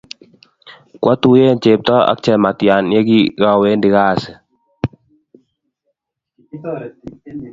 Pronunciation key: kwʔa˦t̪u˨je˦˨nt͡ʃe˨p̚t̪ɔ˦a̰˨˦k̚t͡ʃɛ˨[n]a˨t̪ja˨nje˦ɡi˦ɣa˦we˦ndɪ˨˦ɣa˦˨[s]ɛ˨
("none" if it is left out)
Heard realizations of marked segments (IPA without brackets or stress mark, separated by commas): m, s